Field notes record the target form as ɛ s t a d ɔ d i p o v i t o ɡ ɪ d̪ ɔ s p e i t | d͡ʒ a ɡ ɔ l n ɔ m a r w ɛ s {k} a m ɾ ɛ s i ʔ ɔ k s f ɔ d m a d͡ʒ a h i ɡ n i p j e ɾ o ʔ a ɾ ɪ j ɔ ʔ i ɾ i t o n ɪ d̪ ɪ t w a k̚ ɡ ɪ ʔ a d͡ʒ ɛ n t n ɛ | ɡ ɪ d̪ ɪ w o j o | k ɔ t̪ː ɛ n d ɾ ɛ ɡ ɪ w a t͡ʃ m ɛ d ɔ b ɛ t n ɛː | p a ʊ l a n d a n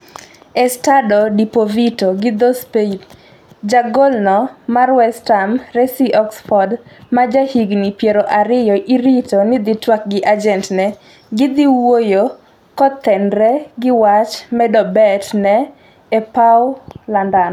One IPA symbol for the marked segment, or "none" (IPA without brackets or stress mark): t